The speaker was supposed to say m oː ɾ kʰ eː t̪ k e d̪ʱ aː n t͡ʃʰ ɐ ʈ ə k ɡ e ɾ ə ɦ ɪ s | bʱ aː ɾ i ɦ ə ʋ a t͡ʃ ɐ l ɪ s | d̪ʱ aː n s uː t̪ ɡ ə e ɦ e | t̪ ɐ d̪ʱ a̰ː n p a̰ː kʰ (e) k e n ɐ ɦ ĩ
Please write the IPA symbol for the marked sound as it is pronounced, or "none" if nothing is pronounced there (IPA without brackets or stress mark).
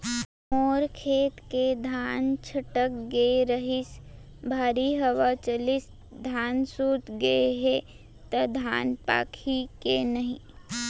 i